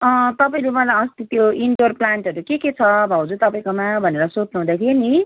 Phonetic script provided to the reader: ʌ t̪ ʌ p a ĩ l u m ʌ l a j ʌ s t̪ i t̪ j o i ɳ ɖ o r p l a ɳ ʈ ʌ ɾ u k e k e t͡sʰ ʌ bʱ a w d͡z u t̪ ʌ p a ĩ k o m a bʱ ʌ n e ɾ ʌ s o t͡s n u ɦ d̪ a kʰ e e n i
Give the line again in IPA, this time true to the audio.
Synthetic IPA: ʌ t̪ ʌ p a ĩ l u m ʌ l a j ʌ s t̪ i t̪ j o i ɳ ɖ o r p l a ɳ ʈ ʌ ɾ u k e k e t͡sʰ ʌ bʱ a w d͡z u t̪ ʌ p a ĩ k o m a bʱ ʌ n e ɾ ʌ s o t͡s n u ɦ d̪ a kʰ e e n i